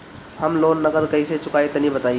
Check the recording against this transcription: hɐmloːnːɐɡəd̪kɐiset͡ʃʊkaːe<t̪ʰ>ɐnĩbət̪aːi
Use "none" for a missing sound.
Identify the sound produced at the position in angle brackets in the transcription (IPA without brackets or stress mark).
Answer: t̪